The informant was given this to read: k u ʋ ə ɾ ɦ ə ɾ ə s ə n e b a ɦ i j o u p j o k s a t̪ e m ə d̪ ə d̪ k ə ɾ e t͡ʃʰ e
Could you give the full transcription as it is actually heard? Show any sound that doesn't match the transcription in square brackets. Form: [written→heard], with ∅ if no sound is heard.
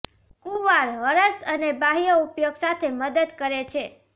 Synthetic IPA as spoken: k u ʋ [ə→a] ɾ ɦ ə ɾ ə s ə n e b a ɦ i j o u p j o [k→ɡ] s a [t̪→t̪ʰ] e m ə d̪ ə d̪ k ə ɾ e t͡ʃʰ e